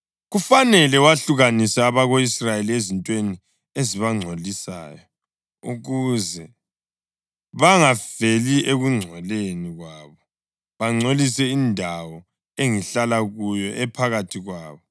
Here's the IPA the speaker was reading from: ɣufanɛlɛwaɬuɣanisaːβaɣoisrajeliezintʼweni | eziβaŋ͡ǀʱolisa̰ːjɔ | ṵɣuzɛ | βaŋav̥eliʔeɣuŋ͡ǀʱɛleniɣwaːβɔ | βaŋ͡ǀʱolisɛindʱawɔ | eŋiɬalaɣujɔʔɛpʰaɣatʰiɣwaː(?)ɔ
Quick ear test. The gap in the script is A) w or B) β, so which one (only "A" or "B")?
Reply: B